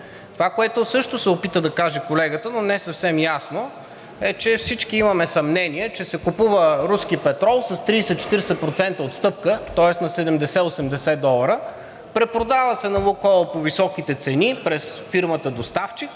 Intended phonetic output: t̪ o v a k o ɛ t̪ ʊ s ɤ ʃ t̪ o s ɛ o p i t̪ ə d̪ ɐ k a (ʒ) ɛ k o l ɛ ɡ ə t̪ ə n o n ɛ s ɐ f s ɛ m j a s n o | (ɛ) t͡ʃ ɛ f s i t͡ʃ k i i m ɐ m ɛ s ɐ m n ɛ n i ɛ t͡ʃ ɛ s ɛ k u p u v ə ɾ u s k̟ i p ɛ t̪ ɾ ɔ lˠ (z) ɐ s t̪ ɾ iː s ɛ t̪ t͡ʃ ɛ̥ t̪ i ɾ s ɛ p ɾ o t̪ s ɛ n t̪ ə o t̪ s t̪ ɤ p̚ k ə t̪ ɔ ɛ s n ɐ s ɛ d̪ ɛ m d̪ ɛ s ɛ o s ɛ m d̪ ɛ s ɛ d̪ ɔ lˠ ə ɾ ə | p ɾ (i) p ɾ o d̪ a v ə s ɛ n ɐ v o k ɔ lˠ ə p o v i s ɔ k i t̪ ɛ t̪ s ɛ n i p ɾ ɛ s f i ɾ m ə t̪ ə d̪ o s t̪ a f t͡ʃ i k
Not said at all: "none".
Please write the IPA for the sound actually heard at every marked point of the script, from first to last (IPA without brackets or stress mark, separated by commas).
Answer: ʒ, ɛ, s, ɛ